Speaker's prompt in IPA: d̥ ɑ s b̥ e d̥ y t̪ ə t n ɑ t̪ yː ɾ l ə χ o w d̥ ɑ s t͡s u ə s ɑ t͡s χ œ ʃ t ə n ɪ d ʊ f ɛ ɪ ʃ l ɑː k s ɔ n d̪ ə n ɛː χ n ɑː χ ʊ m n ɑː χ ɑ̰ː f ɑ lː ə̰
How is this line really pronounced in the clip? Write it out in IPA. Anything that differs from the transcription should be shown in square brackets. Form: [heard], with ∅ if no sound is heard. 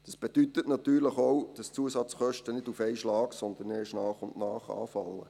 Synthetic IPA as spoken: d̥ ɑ s b̥ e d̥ y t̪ ə t n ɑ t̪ yː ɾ l ə χ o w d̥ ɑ s t͡s u ə s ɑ t͡s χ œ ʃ t ə n ɪ d [u] f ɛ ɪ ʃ l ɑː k s ɔ n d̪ ə n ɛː [ʃ] n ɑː χ ʊ [n] n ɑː χ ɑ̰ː f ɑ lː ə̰